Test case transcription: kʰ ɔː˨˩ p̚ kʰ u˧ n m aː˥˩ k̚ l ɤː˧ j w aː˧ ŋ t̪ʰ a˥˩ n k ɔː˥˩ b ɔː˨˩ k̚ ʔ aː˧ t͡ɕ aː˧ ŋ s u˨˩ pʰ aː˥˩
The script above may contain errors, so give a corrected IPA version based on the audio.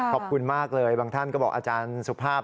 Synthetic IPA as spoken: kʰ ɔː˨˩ p̚ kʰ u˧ n m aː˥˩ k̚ l ɤː˧ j b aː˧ ŋ t̪ʰ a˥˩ n k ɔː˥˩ b ɔː˨˩ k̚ ʔ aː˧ t͡ɕ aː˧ n s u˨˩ pʰ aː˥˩